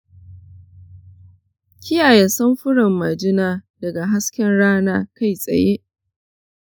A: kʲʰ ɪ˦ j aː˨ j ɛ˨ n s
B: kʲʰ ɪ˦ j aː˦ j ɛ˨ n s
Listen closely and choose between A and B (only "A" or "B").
A